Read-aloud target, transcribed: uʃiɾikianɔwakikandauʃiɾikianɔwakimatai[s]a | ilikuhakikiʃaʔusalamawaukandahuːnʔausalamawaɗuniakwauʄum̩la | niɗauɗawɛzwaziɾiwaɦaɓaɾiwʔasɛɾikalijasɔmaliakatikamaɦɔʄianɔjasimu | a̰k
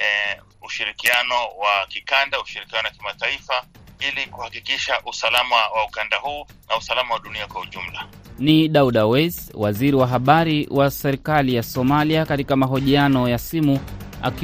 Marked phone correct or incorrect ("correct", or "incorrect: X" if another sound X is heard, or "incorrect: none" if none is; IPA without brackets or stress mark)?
incorrect: f